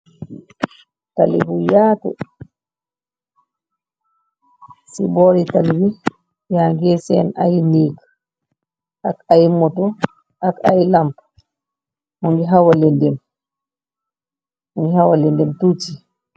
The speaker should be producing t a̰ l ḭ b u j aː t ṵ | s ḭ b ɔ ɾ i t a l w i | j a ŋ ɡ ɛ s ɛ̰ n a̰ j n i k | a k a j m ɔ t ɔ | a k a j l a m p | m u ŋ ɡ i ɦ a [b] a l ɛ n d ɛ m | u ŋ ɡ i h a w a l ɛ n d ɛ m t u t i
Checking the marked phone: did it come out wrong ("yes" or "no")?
yes